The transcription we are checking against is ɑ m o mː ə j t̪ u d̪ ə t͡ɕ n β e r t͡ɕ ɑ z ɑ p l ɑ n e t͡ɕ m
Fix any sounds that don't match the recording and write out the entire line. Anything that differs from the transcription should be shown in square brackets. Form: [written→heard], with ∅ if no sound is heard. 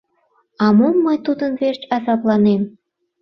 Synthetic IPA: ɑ m o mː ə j t̪ u d̪ ə [t͡ɕ→∅] n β e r t͡ɕ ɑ z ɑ p l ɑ n e [t͡ɕ→∅] m